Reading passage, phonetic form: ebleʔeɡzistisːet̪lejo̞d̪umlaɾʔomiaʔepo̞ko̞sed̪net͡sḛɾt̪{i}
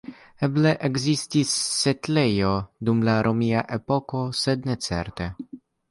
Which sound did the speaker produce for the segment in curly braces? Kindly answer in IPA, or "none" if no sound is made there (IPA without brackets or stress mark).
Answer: e